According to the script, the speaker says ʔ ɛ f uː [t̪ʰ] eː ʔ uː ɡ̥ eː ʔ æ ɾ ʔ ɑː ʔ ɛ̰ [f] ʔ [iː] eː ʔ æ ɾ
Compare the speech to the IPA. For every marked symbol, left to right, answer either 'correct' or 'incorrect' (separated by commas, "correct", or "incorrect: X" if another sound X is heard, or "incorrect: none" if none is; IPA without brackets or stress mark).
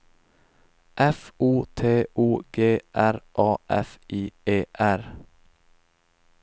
correct, correct, correct